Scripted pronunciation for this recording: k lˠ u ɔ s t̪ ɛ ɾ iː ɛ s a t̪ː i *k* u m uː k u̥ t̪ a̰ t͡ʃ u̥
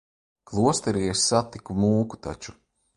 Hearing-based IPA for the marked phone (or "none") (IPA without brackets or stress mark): k